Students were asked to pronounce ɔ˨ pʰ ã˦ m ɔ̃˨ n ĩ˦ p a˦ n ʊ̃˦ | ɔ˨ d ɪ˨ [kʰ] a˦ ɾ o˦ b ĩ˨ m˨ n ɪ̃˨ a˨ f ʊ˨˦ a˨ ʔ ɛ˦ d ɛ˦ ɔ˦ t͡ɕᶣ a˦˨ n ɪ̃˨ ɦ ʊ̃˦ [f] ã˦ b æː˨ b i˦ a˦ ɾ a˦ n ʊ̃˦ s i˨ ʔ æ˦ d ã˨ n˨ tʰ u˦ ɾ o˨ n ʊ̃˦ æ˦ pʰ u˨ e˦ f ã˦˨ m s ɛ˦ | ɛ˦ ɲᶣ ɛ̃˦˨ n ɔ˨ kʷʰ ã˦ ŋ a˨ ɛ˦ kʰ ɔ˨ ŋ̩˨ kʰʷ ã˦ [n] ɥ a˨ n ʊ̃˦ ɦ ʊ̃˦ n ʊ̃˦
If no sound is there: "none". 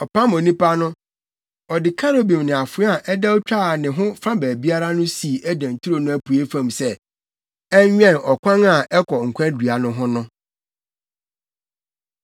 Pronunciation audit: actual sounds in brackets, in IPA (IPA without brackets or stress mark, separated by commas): kʰ, f, d